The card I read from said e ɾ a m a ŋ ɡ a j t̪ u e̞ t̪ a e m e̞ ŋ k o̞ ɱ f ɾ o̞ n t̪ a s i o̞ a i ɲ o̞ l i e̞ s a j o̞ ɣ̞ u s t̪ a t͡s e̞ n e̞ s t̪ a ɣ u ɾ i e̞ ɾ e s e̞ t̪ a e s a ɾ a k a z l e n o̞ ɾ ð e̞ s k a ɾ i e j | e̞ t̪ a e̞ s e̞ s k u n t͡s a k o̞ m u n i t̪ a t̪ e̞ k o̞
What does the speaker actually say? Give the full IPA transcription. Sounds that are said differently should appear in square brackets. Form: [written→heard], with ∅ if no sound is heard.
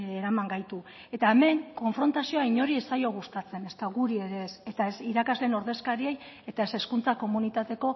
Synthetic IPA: e ɾ a m a ŋ ɡ a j t̪ u e̞ t̪ a e m e̞ ŋ k o̞ ɱ f ɾ o̞ n t̪ a s i o̞ a i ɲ o̞ [l→ɾ] i e̞ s a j o̞ ɣ̞ u s t̪ a t͡s e̞ n e̞ s t̪ a ɣ u ɾ i e̞ ɾ e s e̞ t̪ a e s [a→i] ɾ a k a z l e n o̞ ɾ ð e̞ s k a ɾ i e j | e̞ t̪ a e̞ s e̞ s k u n t͡s a k o̞ m u n i t̪ a t̪ e̞ k o̞

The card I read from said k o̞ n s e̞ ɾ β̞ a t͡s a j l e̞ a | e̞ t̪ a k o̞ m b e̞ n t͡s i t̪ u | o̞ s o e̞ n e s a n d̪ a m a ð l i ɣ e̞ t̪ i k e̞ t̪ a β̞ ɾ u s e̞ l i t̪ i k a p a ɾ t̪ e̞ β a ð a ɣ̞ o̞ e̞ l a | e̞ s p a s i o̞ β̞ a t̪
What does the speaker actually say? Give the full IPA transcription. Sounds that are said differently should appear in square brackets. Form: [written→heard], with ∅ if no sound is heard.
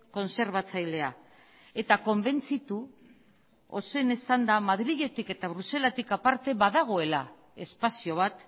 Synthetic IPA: k o̞ n s e̞ ɾ β̞ a t͡s a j l e̞ a | e̞ t̪ a k o̞ m b e̞ n t͡s i t̪ u | o̞ s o e̞ n e s a n d̪ a m a ð [l→ɾ] i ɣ e̞ t̪ i k e̞ t̪ a β̞ ɾ u s e̞ l [i→a] t̪ i k a p a ɾ t̪ e̞ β a ð a ɣ̞ o̞ e̞ l a | e̞ s p a s i o̞ β̞ a t̪

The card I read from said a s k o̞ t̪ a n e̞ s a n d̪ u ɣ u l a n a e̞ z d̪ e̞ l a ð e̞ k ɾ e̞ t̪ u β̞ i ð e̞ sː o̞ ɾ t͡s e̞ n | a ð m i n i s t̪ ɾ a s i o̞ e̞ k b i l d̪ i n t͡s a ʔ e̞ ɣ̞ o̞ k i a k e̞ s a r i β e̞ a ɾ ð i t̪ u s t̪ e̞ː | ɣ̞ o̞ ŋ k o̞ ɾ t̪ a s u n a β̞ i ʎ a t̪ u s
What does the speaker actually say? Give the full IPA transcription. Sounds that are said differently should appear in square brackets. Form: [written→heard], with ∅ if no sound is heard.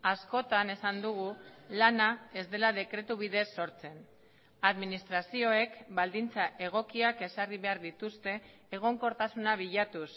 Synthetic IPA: a s k o̞ t̪ a n e̞ s a n d̪ u ɣ u l a n a e̞ z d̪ e̞ l a ð e̞ k ɾ e̞ t̪ u β̞ i ð e̞ sː o̞ ɾ t͡s e̞ n | a ð m i n i s t̪ ɾ a s i o̞ e̞ k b [i→a] l d̪ i n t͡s a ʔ e̞ ɣ̞ o̞ k i a k e̞ s a r i β e̞ a ɾ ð i t̪ u s t̪ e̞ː | ɣ̞ o̞ ŋ k o̞ ɾ t̪ a s u n a β̞ i ʎ a t̪ u s

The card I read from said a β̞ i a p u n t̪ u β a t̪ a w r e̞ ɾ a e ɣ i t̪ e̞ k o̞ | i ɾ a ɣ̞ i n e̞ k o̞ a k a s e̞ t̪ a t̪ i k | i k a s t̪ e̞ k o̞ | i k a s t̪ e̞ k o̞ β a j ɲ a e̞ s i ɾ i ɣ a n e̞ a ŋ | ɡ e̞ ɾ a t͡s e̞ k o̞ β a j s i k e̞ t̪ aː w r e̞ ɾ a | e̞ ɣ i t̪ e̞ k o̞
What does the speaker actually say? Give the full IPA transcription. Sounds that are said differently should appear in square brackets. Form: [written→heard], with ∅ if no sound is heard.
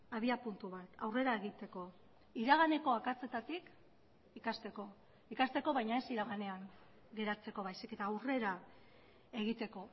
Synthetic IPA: a β̞ i a p u n t̪ u β a t̪ a w r e̞ ɾ a e ɣ i t̪ e̞ k o̞ | i ɾ a ɣ̞ [i→a] n e̞ k o̞ a k a [s→t͡s] e̞ t̪ a t̪ i k | i k a s t̪ e̞ k o̞ | i k a s t̪ e̞ k o̞ β a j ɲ a e̞ s i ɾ [i→a] ɣ a n e̞ a ŋ | ɡ e̞ ɾ a t͡s e̞ k o̞ β a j s i k e̞ t̪ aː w r e̞ ɾ a | e̞ ɣ i t̪ e̞ k o̞

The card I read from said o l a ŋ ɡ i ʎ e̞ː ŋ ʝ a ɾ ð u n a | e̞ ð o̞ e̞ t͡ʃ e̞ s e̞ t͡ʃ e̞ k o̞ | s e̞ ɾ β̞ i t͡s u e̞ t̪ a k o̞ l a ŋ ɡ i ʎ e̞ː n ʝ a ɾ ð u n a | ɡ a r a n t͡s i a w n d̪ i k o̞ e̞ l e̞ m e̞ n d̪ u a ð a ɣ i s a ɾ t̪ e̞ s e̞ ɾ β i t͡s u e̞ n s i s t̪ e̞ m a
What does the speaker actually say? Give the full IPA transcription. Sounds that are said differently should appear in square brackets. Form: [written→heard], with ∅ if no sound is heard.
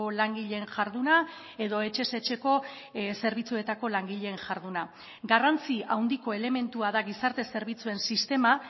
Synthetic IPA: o l a ŋ ɡ i ʎ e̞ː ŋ ʝ a ɾ ð u n a | e̞ ð o̞ e̞ t͡ʃ e̞ s e̞ t͡ʃ e̞ k o̞ | s e̞ ɾ β̞ i t͡s u e̞ t̪ a k o̞ l a ŋ ɡ i ʎ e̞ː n ʝ a ɾ ð u n a | ɡ a r a n t͡s i a w n d̪ i k o̞ e̞ l e̞ m e̞ n [d̪→t̪] u a ð a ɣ i s a ɾ t̪ e̞ s e̞ ɾ β i t͡s u e̞ n s i s t̪ e̞ m a

